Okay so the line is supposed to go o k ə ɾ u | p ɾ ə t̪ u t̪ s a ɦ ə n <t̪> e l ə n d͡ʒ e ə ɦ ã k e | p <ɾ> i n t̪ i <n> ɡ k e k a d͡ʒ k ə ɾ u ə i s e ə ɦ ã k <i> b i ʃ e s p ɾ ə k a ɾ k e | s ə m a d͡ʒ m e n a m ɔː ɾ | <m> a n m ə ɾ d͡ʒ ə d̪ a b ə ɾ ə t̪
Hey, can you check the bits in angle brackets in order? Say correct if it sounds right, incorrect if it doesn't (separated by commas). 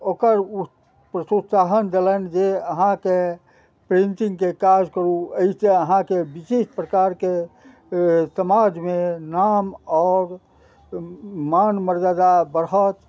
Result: incorrect, correct, incorrect, incorrect, correct